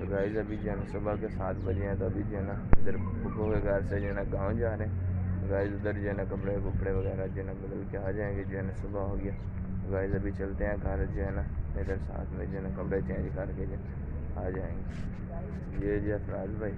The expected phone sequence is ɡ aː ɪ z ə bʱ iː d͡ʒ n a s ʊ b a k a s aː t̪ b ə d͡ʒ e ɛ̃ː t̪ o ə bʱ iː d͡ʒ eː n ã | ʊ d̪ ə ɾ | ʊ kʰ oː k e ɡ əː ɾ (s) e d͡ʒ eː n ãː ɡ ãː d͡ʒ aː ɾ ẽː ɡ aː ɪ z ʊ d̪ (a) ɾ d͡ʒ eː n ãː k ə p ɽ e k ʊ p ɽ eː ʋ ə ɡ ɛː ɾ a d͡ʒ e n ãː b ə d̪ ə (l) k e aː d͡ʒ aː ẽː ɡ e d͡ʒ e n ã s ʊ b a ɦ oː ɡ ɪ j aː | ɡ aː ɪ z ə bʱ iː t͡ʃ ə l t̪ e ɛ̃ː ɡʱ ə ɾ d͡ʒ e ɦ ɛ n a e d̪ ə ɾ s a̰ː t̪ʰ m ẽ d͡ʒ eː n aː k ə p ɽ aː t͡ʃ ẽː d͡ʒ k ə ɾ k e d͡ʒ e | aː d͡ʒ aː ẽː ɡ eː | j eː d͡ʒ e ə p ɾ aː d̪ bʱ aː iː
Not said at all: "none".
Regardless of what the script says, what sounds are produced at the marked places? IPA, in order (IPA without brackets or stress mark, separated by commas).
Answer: s, ə, l